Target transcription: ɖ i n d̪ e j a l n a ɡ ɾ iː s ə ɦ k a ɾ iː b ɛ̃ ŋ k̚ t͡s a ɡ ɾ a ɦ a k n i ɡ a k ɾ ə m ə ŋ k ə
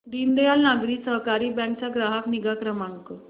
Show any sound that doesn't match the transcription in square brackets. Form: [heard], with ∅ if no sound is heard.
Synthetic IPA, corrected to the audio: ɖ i n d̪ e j a l n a ɡ ɾ iː s ə ɦ k a ɾ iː b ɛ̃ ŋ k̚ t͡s a ɡ ɾ a ɦ a k n i ɡ a k ɾ ə m [a] ŋ k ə